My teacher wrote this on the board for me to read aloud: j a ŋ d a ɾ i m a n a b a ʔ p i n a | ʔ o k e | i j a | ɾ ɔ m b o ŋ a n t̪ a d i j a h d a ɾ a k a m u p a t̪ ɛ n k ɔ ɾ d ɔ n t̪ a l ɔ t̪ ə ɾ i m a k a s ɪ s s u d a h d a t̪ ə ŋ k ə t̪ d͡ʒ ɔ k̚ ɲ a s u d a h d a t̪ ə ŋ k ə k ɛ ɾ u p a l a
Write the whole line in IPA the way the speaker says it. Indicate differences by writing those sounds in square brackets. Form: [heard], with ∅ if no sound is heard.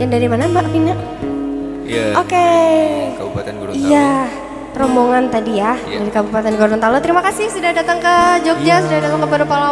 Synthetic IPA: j a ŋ d a ɾ i m a n a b a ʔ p i n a | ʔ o k e | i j a | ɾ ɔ m b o ŋ a n t̪ a d i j a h d a ɾ [i] k a [b] u p a t̪ ɛ n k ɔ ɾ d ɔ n t̪ a l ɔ t̪ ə ɾ i m a k a s ɪ [h] s u d a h d a t̪ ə ŋ k ə [∅] d͡ʒ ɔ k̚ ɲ a s u d a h d a t̪ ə ŋ k ə [p] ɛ ɾ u p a l a